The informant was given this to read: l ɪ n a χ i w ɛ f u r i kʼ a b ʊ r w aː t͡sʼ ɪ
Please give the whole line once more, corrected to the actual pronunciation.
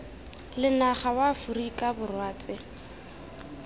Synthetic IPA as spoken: l ɪ n a χ a w a f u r i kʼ a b ʊ r w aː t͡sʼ ɪ